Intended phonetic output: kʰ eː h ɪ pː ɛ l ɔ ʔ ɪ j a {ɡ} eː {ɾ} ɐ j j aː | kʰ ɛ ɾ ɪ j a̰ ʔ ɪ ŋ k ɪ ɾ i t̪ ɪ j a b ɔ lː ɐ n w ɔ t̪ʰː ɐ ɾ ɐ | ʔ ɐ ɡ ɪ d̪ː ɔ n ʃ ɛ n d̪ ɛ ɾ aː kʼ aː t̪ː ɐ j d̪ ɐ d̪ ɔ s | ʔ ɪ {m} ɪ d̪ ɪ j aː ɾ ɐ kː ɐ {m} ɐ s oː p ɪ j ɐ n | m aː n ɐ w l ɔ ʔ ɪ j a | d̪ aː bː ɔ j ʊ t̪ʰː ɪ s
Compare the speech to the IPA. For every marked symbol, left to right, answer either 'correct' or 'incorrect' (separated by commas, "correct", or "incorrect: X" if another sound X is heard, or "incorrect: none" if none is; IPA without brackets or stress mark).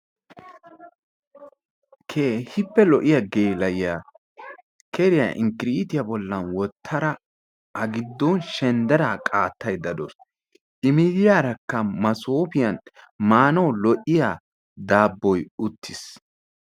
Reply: correct, incorrect: l, correct, correct